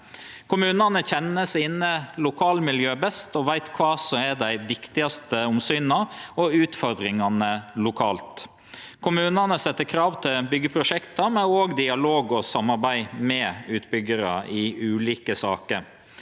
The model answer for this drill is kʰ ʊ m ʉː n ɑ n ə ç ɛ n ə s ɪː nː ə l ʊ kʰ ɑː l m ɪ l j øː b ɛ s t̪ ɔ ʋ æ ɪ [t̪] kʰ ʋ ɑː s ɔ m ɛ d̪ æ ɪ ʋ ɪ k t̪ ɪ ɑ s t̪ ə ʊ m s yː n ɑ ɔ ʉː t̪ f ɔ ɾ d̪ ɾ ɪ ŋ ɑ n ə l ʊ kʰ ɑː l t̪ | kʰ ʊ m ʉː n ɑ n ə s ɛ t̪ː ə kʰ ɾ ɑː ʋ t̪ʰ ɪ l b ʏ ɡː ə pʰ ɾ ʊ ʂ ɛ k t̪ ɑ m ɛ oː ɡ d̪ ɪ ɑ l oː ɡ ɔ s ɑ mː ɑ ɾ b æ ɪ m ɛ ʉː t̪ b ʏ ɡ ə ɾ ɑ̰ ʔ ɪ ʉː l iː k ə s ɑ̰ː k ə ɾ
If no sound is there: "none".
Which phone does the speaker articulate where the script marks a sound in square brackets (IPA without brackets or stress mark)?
t̪